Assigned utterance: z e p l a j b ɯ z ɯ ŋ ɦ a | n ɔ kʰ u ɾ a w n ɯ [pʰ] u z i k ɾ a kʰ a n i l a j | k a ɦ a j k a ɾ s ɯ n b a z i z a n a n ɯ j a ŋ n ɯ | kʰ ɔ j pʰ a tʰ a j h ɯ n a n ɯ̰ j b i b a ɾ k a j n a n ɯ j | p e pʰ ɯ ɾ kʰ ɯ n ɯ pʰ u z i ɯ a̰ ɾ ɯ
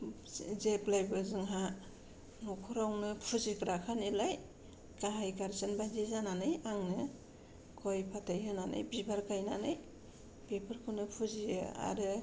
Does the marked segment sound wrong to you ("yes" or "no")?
no